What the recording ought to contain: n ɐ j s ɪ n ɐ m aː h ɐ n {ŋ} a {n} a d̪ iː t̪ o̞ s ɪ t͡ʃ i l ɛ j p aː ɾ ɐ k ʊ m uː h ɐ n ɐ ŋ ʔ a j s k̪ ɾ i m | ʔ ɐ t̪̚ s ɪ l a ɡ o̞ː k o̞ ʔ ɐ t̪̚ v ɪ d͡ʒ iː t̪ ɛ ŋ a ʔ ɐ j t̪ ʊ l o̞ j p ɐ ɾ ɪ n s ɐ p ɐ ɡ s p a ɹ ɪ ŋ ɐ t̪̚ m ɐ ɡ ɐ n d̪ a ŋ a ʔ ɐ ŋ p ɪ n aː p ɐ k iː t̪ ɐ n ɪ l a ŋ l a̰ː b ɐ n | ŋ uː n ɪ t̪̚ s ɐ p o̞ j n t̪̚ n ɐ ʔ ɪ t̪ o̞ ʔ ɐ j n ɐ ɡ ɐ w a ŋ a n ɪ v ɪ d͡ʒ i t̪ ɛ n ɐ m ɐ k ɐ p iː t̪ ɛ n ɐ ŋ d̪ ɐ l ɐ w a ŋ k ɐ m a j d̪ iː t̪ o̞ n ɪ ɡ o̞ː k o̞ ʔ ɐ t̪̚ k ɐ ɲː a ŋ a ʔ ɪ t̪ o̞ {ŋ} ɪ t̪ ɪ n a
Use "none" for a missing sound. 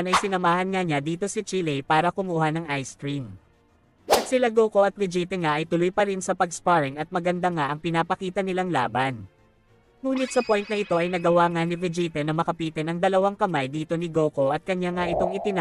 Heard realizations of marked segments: ŋ, ɲ, ŋ

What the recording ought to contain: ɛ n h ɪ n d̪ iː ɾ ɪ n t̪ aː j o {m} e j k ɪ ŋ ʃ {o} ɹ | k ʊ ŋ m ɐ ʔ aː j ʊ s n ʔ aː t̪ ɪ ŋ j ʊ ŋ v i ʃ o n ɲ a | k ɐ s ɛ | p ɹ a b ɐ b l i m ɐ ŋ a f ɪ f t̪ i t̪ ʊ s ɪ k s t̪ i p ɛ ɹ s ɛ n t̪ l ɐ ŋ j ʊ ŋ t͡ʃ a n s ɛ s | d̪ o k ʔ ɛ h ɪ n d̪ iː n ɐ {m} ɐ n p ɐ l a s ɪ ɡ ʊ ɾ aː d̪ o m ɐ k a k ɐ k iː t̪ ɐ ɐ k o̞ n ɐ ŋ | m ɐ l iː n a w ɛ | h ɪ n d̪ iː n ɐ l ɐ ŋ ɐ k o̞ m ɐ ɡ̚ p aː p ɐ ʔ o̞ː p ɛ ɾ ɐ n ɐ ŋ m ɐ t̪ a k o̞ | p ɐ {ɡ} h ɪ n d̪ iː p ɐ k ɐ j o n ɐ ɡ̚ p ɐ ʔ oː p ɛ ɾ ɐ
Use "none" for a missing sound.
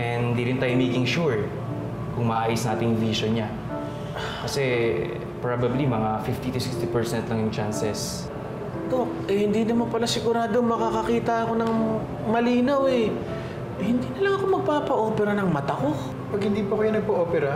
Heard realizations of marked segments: m, u, m, ɡ

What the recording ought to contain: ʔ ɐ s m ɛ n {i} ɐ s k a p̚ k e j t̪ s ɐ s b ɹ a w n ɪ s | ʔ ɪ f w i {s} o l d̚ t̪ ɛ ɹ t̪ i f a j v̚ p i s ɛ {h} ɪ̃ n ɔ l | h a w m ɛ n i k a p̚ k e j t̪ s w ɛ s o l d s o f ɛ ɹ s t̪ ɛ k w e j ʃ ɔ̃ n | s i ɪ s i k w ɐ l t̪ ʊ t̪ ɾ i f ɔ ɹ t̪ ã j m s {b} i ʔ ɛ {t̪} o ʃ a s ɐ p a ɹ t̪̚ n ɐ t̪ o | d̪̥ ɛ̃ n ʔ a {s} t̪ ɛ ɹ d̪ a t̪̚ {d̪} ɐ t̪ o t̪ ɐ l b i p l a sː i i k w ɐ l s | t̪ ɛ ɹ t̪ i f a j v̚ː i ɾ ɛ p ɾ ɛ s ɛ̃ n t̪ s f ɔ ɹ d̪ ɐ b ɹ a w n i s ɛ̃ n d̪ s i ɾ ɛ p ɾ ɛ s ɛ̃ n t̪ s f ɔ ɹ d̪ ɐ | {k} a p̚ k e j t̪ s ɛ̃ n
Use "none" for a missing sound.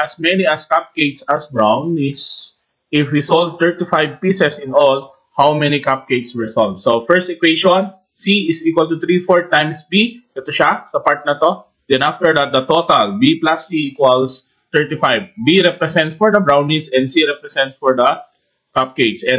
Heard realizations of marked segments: i, s, s, b, t̪, f, d̪, k

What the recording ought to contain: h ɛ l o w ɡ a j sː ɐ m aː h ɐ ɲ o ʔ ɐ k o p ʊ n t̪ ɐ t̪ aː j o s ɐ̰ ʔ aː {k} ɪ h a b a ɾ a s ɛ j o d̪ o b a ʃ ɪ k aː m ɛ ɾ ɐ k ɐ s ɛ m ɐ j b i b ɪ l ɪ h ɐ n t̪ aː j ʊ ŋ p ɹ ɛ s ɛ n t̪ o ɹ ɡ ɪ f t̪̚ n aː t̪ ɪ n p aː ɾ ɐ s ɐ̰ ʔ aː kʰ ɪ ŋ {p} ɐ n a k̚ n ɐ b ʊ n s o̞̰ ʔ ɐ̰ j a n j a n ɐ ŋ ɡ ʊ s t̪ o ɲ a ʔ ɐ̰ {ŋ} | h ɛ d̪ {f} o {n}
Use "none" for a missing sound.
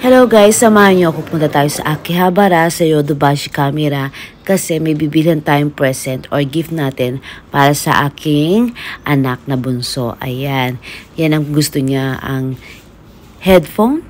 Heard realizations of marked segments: k, ʔ, ŋ, f, n

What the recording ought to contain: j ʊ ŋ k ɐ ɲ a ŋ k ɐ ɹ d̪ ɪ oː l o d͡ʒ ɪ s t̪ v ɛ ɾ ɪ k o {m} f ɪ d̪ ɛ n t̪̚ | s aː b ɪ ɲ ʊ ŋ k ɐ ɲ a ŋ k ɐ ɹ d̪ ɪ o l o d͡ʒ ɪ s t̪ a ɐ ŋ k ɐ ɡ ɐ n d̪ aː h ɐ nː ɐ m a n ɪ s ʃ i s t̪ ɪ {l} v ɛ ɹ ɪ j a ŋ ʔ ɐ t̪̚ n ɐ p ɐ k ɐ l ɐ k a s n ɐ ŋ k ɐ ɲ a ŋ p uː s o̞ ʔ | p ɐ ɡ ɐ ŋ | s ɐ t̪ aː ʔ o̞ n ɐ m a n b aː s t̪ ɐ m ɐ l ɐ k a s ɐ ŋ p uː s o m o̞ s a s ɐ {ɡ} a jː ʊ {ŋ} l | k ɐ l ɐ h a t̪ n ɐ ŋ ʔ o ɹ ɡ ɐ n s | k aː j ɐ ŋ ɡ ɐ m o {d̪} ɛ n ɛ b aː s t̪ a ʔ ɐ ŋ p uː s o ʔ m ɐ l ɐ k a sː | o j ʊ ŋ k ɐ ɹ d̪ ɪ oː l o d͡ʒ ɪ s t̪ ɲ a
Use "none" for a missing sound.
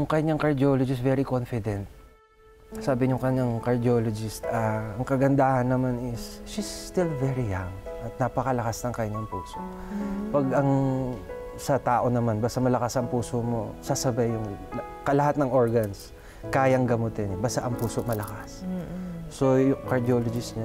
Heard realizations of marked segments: n, l, b, ŋ, t̪

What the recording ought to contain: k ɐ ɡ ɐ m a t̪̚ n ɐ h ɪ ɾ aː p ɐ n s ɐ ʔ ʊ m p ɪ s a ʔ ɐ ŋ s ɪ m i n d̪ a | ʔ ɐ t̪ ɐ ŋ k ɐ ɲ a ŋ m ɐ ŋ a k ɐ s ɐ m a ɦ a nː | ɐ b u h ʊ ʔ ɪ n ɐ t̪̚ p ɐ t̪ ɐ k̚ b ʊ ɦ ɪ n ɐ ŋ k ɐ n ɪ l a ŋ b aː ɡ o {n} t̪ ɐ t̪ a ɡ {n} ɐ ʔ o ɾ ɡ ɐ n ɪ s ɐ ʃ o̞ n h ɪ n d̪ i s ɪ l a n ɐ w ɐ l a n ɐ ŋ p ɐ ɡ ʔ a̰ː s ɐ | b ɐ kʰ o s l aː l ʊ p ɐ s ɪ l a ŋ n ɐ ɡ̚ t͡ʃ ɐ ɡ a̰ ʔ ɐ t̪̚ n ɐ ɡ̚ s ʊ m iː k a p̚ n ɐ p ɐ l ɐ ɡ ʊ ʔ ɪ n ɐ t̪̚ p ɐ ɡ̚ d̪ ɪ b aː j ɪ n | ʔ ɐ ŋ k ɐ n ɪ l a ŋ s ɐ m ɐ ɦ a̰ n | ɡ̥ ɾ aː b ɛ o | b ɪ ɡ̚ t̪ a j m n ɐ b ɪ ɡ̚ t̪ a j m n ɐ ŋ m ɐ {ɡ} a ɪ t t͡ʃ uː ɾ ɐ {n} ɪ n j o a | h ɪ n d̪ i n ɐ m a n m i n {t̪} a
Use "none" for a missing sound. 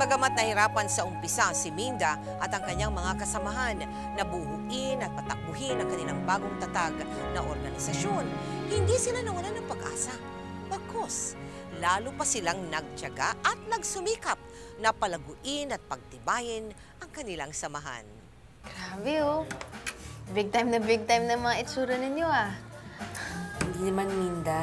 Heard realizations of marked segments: ŋ, n, ŋ, n, d̪

